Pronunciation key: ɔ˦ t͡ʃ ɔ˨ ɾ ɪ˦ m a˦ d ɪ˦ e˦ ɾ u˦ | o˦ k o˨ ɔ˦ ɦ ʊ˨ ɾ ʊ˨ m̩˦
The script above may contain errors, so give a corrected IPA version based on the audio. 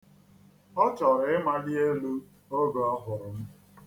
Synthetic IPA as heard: ɔ˦ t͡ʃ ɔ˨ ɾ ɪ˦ m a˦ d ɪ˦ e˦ l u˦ | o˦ ɡ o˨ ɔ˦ ɦ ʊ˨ ɾ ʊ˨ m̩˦